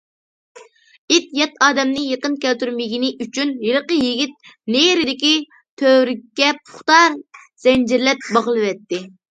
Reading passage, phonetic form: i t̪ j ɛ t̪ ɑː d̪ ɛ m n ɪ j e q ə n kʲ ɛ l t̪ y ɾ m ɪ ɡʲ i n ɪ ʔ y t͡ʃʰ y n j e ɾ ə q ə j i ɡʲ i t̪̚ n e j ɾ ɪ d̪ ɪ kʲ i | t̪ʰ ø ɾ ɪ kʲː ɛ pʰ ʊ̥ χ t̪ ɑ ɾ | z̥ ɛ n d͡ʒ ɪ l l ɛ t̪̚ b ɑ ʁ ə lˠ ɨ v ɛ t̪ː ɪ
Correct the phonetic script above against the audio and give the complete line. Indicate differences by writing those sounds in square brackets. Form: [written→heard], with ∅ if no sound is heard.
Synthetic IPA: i t̪ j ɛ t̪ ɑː d̪ ɛ m n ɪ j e q ə n kʲ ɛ l t̪ y ɾ m ɪ ɡʲ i n ɪ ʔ y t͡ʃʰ y n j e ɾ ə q ə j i ɡʲ i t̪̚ n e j ɾ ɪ d̪ ɪ kʲ i | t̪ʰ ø ɾ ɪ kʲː ɛ pʰ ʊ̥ χ t̪ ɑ ɾ | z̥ ɛ n d͡ʒ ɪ [l→ɾ] l ɛ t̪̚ b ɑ ʁ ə lˠ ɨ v ɛ t̪ː ɪ